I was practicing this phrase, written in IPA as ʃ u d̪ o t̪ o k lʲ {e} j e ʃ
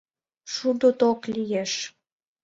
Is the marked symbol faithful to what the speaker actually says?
no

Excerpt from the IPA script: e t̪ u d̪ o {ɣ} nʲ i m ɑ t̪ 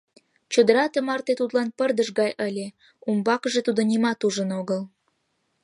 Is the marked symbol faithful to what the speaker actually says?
no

